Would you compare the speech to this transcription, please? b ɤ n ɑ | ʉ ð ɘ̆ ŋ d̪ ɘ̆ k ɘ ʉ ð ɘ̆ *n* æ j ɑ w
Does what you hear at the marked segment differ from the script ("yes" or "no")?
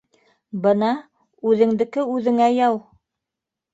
yes